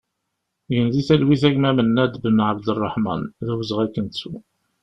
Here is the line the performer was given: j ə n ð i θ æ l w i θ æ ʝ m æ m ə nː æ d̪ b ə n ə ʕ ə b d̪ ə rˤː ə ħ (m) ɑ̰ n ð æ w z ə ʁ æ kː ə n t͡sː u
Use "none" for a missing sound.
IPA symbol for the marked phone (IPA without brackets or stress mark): m